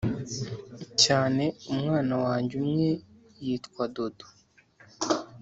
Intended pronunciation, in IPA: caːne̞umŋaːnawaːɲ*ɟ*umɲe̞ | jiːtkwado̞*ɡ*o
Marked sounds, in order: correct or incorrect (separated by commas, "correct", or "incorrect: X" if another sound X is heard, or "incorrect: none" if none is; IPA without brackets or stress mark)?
correct, incorrect: d